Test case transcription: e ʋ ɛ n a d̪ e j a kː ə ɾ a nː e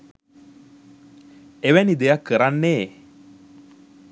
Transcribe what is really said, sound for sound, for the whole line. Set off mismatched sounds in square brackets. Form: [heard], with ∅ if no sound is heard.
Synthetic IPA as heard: e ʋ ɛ n [i] d̪ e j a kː ə ɾ a nː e